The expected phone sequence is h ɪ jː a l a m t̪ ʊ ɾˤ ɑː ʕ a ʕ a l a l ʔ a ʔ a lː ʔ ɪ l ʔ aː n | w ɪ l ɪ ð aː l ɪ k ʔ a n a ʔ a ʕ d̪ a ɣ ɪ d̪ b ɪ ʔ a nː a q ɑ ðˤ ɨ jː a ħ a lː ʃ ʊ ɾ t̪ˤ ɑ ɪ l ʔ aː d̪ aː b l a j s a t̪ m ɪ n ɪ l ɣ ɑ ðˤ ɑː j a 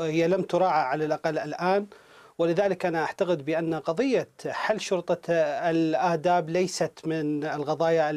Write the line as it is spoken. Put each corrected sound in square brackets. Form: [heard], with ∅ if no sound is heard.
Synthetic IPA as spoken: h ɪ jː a l a m t̪ ʊ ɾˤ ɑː ʕ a ʕ a l a l ʔ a [q] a lː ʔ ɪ l ʔ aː n | w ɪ l ɪ ð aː l ɪ k ʔ a n a ʔ a ʕ [t̪] a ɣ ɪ d̪ b ɪ ʔ a nː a q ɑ ðˤ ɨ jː a ħ a lː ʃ ʊ ɾ t̪ˤ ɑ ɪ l ʔ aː d̪ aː b l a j s a t̪ m ɪ n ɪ l ɣ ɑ ðˤ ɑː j a